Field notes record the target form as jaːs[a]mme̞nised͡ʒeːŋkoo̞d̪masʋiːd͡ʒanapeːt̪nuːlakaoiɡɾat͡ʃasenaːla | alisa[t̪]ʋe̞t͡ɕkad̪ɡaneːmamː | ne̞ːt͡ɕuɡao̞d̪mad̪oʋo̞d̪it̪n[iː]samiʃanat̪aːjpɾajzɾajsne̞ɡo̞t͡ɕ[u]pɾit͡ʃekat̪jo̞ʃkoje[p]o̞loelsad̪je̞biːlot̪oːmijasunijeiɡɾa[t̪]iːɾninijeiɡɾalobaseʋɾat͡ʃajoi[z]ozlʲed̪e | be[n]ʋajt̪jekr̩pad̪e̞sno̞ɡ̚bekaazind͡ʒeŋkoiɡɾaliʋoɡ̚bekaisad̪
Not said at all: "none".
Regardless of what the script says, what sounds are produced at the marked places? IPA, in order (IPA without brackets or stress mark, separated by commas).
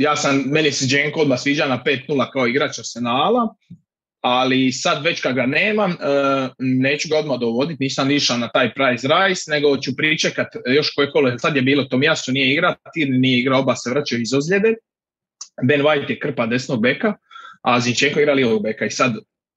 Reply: a, d̪, iː, u, k, t̪, z, n